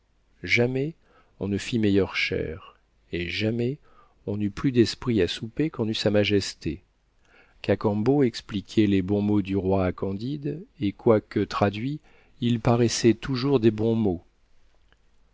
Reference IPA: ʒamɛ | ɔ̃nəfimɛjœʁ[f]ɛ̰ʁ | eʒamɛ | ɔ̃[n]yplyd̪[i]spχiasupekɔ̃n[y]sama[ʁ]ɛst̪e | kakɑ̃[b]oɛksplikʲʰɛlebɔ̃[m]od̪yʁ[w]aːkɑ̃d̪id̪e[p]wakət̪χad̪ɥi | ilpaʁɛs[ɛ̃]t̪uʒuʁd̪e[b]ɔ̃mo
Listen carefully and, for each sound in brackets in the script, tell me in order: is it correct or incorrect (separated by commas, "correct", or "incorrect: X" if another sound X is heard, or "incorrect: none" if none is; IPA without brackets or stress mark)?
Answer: incorrect: ʃ, correct, incorrect: ɛ, correct, incorrect: ʒ, correct, correct, correct, incorrect: k, incorrect: ɛ, correct